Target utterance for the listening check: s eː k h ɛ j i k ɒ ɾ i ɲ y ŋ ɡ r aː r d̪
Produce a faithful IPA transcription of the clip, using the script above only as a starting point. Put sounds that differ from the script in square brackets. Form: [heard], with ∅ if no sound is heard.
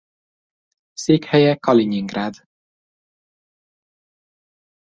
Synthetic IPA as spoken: s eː k h ɛ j [ɛ] k ɒ [l] i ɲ [i] ŋ ɡ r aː [∅] d̪